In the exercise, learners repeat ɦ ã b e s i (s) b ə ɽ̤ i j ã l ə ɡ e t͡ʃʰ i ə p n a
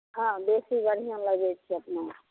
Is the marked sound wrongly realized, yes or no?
yes